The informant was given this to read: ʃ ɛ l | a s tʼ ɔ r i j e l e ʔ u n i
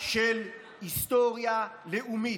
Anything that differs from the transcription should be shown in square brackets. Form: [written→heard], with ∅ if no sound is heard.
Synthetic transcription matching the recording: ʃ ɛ l | [a→i] s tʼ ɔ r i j [e→a] l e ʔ u [n→m] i